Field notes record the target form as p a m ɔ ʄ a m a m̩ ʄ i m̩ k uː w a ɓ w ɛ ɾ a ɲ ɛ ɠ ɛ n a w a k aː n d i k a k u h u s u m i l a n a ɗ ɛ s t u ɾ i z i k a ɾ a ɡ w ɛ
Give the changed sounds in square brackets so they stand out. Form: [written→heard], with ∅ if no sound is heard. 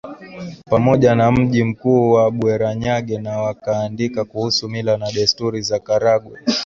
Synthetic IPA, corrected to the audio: p a m ɔ ʄ a [m→n] a m̩ ʄ i m̩ k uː w a ɓ w ɛ ɾ a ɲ [ɛ→a] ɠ ɛ n a w a k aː n d i k a k u h u s u m i l a n a ɗ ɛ s t u ɾ i z [i→a] k a ɾ a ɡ w ɛ